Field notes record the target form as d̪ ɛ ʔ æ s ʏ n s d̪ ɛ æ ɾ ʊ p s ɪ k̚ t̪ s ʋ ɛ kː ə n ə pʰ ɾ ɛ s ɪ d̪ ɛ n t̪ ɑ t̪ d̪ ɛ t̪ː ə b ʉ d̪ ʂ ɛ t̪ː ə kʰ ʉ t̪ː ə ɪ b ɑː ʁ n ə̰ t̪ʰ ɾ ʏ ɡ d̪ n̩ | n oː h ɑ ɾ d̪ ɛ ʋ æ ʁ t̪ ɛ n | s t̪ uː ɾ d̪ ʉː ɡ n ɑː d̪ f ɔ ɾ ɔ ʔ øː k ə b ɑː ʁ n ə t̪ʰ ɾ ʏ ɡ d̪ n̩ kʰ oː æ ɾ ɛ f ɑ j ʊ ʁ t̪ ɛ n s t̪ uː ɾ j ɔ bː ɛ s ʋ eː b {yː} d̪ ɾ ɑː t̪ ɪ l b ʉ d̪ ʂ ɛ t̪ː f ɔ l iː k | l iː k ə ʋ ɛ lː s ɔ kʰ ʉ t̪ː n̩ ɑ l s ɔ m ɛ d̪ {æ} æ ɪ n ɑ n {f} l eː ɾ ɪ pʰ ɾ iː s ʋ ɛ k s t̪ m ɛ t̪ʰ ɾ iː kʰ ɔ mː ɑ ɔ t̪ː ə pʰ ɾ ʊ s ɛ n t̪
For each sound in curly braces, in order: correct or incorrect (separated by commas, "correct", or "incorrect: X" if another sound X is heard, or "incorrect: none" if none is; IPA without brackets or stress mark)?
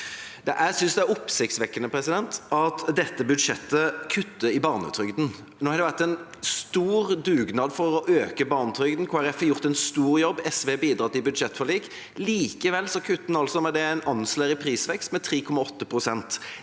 incorrect: iː, incorrect: ɛ, incorrect: s